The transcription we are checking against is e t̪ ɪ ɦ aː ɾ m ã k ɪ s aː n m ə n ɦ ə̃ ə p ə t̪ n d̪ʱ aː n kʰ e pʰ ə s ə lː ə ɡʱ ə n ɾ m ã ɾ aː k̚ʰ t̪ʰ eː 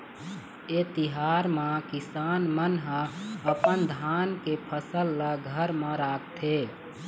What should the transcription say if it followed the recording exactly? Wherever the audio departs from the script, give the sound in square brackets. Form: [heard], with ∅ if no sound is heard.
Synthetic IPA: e t̪ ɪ ɦ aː ɾ m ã k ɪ s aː n m ə n ɦ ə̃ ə p ə [∅] n d̪ʱ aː n [k] e pʰ ə s ə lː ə ɡʱ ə [∅] ɾ m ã ɾ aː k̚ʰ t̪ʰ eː